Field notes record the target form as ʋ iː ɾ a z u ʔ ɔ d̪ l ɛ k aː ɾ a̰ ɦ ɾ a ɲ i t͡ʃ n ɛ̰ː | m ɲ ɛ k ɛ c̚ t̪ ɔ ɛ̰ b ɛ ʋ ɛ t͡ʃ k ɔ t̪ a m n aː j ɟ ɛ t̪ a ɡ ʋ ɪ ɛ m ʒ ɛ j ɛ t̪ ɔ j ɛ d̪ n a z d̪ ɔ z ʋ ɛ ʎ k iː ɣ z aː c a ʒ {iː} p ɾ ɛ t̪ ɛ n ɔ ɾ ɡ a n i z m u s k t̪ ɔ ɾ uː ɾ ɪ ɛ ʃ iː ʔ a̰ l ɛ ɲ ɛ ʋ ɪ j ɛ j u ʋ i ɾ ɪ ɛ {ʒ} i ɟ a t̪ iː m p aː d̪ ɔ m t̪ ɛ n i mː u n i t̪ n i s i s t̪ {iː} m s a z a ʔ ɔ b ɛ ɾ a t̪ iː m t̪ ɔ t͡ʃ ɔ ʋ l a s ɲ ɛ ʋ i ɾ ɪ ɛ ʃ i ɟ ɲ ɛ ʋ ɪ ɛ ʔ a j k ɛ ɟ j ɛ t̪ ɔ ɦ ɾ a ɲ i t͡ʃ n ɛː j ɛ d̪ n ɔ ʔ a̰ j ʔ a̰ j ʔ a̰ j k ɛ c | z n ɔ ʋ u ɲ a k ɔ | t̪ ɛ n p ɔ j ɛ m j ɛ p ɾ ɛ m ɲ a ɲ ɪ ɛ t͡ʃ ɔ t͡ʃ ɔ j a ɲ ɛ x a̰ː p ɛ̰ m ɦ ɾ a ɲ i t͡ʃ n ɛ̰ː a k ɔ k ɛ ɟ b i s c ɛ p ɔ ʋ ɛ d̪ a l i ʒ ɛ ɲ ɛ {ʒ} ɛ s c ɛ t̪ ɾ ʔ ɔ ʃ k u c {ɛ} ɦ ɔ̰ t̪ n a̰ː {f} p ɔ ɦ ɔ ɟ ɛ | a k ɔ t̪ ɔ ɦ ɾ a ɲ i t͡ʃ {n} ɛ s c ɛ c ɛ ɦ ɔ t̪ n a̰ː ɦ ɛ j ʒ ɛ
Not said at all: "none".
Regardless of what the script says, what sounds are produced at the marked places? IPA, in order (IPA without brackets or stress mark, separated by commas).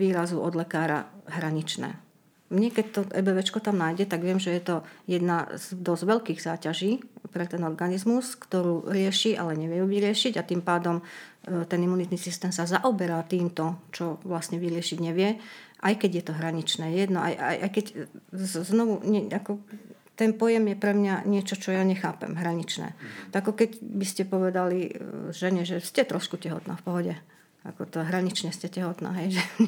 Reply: iː, ʃ, ɛː, ʒ, ɛ, f, ɲ